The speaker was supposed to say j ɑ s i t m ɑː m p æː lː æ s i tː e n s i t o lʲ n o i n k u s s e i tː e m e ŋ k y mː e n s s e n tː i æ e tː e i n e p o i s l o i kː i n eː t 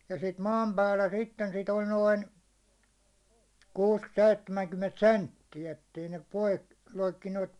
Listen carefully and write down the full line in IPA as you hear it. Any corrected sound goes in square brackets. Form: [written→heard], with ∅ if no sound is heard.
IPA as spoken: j ɑ s i t m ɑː m p æː lː æ s i tː e n s i t o lʲ n o i n k [u→uː] s s e i tː e m [e→æ] ŋ k y mː e n [s→t] s e n tː i æ e tː e i n e p o i s l o i kː i n eː t